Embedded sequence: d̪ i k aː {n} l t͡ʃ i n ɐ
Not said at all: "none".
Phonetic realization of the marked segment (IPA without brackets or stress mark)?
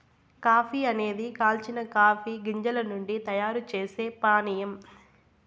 none